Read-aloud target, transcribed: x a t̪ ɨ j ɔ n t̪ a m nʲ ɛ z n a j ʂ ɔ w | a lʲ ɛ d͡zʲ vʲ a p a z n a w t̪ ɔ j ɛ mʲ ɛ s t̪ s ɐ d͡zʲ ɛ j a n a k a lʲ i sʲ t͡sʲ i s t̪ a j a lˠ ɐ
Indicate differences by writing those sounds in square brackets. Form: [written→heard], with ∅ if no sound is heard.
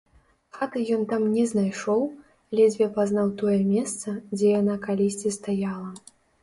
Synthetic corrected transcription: x a t̪ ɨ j ɔ n t̪ a m nʲ ɛ z n a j ʂ ɔ w | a lʲ ɛ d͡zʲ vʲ [a→ɛ] p a z n a w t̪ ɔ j ɛ mʲ ɛ s t̪ s ɐ d͡zʲ ɛ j a n a k a lʲ i sʲ t͡sʲ i s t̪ a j a lˠ ɐ